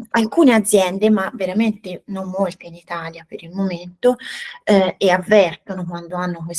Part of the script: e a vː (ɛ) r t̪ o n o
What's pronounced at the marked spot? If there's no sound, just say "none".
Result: ɛ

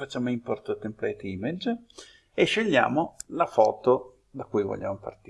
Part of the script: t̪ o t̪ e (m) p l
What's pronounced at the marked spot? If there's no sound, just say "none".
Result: m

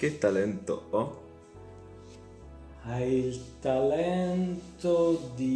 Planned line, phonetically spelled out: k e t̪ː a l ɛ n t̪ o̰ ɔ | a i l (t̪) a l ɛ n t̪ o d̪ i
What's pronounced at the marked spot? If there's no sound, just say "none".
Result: t̪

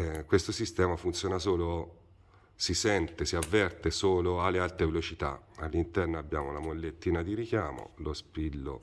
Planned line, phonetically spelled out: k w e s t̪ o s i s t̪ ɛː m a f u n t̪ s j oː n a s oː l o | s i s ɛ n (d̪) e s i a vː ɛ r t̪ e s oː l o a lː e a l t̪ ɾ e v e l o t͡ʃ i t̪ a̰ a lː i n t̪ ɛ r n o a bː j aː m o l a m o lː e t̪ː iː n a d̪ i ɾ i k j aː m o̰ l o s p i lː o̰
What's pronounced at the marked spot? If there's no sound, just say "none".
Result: t̪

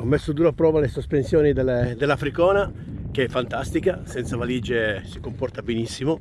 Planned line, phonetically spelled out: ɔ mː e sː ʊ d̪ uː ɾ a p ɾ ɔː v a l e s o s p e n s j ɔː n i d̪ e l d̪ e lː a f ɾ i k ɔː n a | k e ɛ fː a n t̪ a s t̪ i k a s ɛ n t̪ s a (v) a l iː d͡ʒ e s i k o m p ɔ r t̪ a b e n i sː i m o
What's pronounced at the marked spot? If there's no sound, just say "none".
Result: v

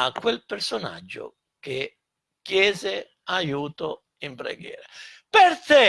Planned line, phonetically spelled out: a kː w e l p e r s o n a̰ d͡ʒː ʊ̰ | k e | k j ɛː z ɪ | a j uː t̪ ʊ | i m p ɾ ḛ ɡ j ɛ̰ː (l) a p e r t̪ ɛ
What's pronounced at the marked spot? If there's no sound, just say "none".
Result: ɾ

